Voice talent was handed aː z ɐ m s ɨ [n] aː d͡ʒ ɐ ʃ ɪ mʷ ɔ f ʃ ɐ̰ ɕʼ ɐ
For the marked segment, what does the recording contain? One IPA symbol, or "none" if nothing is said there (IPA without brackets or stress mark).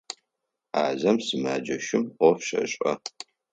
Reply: m